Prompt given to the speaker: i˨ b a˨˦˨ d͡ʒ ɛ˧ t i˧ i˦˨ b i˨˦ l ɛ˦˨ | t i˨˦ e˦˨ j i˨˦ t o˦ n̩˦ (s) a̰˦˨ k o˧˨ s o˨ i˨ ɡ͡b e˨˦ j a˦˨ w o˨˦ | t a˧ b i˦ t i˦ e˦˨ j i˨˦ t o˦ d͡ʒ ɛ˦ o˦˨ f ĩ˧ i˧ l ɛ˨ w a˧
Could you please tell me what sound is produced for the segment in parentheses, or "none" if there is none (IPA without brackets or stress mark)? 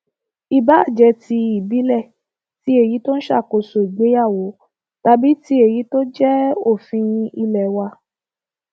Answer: ʃ